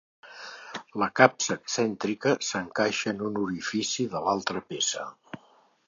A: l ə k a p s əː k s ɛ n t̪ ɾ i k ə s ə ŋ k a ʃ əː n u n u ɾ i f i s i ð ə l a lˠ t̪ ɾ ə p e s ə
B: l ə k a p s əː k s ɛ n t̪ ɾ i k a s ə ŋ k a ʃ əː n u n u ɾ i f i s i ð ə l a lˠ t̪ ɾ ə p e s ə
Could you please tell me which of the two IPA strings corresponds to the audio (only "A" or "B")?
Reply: A